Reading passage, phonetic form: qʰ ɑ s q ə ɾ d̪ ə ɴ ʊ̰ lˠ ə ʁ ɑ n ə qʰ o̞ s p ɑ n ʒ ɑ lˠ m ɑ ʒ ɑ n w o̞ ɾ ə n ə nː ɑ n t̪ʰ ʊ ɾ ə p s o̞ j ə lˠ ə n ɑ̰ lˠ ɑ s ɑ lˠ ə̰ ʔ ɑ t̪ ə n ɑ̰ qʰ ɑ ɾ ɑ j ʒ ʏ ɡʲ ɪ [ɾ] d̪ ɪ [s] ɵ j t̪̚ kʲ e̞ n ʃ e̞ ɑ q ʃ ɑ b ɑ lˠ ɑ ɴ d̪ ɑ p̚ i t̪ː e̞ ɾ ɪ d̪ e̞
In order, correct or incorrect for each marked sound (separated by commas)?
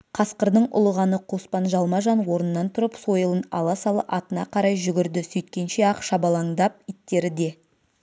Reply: correct, correct